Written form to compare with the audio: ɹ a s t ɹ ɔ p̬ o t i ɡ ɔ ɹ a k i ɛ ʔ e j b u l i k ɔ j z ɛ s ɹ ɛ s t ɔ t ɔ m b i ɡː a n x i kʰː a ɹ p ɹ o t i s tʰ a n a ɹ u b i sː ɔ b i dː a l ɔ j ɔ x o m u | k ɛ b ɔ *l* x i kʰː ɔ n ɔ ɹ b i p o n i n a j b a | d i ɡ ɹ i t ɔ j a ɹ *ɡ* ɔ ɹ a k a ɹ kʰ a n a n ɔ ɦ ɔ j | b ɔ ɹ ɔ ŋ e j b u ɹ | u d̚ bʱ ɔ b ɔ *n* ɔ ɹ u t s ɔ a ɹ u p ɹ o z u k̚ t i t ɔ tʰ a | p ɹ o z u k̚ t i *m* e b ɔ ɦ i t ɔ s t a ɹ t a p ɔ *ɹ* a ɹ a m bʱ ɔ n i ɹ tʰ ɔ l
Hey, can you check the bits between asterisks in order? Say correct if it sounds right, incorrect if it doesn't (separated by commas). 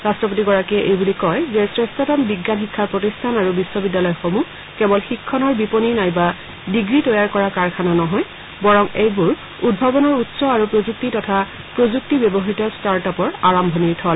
correct, incorrect, correct, incorrect, correct